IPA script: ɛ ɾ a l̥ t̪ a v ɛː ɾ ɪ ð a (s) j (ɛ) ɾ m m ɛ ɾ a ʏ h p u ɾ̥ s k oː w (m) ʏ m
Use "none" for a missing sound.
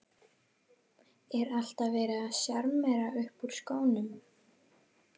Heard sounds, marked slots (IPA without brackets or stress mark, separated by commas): s, a, n